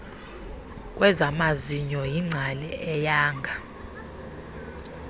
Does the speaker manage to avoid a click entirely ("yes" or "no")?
no